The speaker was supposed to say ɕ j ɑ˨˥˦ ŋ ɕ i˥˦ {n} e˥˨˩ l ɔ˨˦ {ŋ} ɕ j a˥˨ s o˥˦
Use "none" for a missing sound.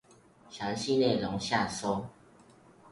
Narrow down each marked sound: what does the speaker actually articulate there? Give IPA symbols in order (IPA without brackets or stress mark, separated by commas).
n, ŋ